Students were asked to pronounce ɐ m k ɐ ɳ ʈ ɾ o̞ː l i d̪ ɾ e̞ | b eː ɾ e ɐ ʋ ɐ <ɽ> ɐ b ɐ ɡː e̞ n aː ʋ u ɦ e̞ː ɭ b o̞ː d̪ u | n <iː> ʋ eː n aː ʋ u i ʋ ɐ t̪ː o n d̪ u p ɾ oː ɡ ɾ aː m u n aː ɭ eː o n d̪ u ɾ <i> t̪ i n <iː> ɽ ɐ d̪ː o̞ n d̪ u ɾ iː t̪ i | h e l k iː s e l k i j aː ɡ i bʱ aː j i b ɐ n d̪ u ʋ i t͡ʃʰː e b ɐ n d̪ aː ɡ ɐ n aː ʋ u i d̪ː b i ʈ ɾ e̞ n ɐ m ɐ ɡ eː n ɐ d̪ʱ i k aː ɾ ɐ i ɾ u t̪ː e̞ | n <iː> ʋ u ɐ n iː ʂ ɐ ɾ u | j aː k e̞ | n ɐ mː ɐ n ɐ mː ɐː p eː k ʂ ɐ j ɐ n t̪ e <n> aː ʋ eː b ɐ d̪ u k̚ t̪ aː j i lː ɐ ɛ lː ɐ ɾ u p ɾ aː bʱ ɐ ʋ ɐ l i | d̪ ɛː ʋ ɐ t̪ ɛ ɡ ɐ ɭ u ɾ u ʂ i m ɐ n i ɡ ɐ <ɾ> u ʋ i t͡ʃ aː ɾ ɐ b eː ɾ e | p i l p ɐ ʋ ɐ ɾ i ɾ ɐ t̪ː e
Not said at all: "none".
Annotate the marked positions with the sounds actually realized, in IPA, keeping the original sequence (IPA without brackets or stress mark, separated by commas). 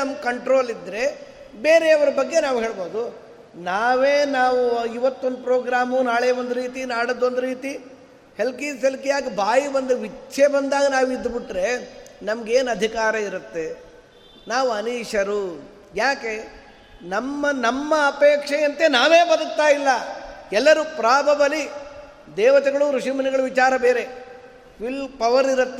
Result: ɾ, aː, iː, aː, aː, n, ɭ